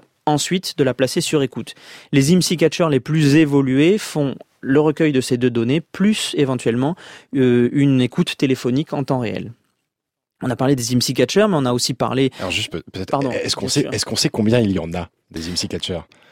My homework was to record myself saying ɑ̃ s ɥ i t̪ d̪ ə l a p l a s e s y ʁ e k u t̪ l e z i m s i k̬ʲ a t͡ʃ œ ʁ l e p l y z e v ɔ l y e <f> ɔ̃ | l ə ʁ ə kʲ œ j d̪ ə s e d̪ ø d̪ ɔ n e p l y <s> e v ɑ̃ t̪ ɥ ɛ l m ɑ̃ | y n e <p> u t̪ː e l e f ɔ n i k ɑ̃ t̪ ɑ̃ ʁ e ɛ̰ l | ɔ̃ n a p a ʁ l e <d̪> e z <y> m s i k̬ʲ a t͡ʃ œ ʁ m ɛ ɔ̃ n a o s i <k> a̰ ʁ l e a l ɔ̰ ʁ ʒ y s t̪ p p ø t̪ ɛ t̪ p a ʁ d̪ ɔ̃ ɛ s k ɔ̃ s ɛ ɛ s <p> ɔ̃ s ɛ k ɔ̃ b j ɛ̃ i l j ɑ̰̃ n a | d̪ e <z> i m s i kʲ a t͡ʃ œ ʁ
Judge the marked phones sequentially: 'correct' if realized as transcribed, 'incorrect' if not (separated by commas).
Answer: correct, correct, incorrect, correct, incorrect, incorrect, incorrect, correct